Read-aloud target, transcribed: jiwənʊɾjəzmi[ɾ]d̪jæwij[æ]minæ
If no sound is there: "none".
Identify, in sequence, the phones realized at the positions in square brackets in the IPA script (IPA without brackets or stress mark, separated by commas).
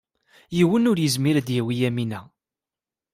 ɾ, æ